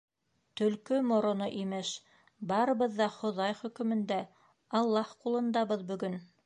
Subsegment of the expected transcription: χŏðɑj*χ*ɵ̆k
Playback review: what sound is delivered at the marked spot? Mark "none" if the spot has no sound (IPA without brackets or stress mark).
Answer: χ